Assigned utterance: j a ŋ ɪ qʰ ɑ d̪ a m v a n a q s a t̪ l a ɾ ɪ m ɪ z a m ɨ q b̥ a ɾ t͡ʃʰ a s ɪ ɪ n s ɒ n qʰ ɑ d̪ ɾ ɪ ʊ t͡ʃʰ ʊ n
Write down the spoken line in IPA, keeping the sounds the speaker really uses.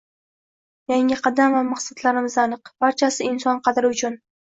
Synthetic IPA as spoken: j a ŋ ɪ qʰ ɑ d̪ a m v a m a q s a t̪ l a ɾ ɪ m ɪ z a n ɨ q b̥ a ɾ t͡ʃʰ a s ɪ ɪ n s ɒ n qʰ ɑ d̪ ɾ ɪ ʊ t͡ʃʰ ʊ n